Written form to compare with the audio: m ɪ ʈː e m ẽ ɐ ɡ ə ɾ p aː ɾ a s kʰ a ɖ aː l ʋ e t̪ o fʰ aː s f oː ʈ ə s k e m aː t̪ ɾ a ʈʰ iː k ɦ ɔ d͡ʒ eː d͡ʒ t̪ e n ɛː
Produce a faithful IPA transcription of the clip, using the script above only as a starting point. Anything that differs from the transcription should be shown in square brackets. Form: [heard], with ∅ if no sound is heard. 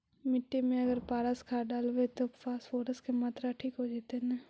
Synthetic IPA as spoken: m ɪ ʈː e m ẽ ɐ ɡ ə ɾ p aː ɾ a s kʰ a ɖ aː l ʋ e t̪ o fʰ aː s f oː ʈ ə s k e m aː t̪ ɾ a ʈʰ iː k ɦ [o] d͡ʒ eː [∅] t̪ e n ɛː